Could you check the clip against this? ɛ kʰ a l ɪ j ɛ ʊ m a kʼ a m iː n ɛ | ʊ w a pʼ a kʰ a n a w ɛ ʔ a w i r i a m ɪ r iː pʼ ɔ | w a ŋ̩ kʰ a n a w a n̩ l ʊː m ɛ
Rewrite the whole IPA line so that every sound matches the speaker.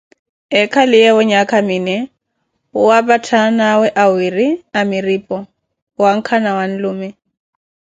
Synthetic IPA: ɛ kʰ a l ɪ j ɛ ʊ ɲ a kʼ a m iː n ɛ | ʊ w a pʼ a tʰ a n a w ɛ ʔ a w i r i a m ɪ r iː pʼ ɔ | w a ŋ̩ kʰ a n a w a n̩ l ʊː m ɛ

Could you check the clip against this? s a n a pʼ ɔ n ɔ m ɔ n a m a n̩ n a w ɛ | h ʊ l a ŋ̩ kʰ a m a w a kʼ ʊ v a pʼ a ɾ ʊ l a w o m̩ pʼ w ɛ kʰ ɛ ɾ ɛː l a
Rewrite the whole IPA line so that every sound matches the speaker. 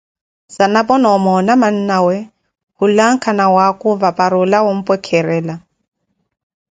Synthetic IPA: s a n a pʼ ɔ n ɔ m ɔ n a m a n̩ n a w ɛ | h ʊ l a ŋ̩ kʰ a n a w a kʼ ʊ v a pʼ a ɾ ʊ l a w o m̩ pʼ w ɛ kʰ ɛ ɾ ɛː l a

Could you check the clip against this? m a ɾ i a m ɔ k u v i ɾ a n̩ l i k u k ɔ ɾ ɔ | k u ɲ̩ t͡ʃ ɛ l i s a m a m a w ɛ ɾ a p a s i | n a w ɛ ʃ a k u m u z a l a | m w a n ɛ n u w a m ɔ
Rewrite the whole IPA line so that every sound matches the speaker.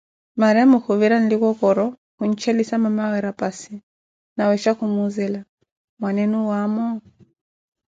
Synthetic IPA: m a ɾ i a m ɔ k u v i ɾ a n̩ l i k ɔ k ɔ ɾ ɔ | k u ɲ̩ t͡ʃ ɛ l i s a m a m a w ɛ ɾ a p a s i | n a w ɛ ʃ a k u m u z ɛ l a | m w a n ɛ n u w a m ɔ

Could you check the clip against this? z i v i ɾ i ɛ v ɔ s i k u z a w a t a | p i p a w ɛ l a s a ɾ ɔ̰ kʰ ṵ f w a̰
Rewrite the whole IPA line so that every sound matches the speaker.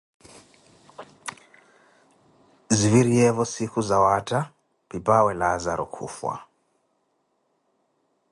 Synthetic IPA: z i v i ɾ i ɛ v ɔ s i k u z a w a t a | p i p a w ɛ l a z a ɾ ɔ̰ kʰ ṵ f w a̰

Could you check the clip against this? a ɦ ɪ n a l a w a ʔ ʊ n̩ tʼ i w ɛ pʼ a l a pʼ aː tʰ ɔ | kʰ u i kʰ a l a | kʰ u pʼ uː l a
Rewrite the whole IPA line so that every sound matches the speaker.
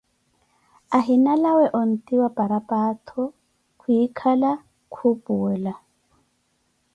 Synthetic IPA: a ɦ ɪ n a l a w ɛ ʔ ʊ n̩ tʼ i w a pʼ a ɾ a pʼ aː tʰ ɔ | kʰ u i kʰ a l a | kʰ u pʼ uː l a

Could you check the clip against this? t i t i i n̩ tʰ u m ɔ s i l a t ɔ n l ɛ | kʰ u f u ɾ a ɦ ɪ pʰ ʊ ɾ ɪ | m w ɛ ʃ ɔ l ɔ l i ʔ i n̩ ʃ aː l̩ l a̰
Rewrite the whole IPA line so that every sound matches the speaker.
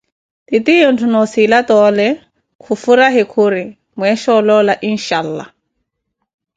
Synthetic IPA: t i t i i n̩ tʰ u n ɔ s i l a t ɔ l ɛ | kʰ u f u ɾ a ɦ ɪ kʰ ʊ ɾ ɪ | m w ɛ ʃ ɔ l ɔ l a ʔ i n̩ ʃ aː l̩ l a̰

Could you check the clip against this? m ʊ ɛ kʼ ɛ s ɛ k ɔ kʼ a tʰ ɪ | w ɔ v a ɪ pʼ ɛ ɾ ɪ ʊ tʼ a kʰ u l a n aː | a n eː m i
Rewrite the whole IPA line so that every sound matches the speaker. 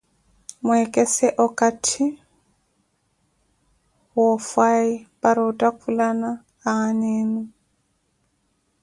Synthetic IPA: m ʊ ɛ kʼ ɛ s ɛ ʔ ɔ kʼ a tʰ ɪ | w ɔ f a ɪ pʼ a ɾ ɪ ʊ tʼ a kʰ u l a n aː | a n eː n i

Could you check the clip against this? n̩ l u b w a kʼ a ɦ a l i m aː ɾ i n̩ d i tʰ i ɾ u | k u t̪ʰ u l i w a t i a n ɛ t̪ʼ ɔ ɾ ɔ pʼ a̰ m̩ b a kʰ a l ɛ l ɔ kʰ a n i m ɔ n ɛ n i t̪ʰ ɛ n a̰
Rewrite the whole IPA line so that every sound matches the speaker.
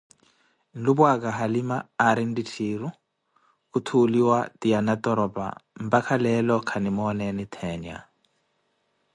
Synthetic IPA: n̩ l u b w a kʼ a ɦ a l i m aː ɾ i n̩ d i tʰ i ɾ u | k u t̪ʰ u l i w a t i a n a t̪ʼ ɔ ɾ ɔ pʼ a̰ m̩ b a kʰ a l ɛ l ɔ kʰ a n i m ɔ n ɛ n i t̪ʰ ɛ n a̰

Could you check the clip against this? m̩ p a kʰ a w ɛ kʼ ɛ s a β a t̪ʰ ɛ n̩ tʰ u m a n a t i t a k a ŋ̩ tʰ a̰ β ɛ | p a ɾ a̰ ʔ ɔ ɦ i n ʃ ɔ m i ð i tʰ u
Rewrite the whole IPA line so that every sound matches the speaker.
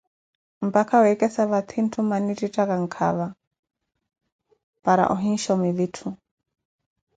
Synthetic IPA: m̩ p a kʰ a w ɛ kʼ ɛ s a β a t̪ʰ i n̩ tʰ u m a n i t i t a k a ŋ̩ kʰ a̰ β a | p a ɾ a̰ ʔ ɔ ɦ i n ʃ ɔ m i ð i tʰ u

